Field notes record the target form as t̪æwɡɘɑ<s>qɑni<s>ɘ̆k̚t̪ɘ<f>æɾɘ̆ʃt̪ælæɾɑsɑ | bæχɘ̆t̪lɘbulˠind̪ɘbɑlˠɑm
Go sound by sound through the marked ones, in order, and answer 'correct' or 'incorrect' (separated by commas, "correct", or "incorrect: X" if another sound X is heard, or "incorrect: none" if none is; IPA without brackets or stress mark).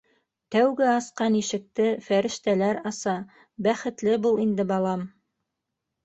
correct, incorrect: ʃ, correct